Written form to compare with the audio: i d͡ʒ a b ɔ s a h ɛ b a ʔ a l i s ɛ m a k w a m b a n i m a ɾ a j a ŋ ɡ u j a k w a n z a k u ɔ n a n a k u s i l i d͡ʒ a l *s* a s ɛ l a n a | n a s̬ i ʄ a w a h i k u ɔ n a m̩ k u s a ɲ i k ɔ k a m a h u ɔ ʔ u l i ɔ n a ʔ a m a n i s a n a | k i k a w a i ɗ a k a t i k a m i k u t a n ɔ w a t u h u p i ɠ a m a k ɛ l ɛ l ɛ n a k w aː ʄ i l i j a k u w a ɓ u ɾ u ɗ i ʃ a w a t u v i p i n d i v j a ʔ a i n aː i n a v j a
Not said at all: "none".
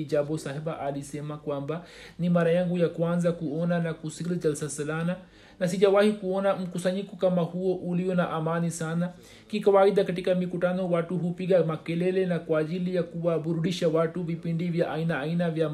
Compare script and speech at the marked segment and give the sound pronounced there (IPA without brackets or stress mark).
s